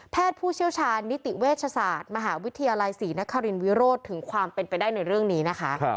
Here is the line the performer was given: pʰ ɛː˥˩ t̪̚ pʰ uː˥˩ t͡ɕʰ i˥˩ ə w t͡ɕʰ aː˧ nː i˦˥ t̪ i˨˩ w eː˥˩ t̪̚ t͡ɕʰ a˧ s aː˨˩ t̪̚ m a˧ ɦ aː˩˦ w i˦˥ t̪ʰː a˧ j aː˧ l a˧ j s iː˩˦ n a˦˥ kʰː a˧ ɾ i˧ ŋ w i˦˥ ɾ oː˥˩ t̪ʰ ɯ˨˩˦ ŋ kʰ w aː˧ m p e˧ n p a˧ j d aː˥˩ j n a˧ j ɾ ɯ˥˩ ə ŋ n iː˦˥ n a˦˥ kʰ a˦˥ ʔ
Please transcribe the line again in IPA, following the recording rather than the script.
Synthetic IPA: pʰ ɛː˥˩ t̪̚ pʰ uː˥˩ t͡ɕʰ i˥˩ ə w t͡ɕʰ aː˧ nː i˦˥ t̪ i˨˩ w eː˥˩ t̪̚ t͡ɕʰ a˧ s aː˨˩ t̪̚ m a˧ ɦ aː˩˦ w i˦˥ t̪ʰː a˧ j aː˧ l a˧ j s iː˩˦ n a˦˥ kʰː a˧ ɾ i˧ n w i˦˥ ɾ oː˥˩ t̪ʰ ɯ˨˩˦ ŋ kʰ w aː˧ m p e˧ n p a˧ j d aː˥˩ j n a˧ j ɾ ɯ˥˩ ə ŋ n iː˦˥ n a˦˥ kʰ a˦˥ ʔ